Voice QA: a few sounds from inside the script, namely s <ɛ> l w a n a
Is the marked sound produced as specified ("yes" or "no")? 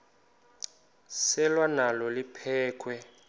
yes